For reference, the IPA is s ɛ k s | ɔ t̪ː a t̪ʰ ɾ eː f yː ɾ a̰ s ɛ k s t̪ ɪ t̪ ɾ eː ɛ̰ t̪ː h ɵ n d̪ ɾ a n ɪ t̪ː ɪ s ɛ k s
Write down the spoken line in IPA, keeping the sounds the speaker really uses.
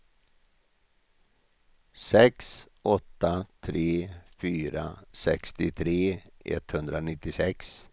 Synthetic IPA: s ɛ k s | ɔ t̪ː a t̪ʰ ɾ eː f yː ɾ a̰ s ɛ k s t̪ ɪ t̪ʰ ɾ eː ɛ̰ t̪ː h ɵ n d̪ ɾ a n ɪ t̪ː ɪ s ɛ k s